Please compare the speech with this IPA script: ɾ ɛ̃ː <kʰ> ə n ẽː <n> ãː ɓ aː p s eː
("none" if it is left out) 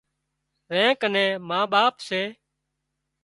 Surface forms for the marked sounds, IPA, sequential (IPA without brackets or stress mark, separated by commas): k, m